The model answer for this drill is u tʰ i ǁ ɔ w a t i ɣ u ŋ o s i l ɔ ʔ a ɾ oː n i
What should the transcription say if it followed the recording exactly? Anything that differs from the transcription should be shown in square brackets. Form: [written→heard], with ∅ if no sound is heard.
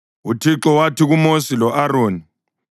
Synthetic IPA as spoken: u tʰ i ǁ ɔ w a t i ɣ u [ŋ→m] o s i l ɔ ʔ a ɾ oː n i